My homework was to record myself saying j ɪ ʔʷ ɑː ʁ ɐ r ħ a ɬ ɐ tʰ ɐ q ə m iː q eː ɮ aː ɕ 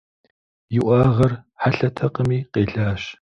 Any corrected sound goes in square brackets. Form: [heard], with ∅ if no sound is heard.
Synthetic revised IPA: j ɪ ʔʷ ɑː ʁ ɐ r ħ a ɬ ɐ tʰ ɐ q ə m iː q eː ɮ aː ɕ